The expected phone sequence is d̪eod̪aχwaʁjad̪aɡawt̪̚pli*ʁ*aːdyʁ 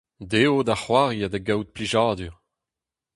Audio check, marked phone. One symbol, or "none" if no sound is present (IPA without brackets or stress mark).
ʒ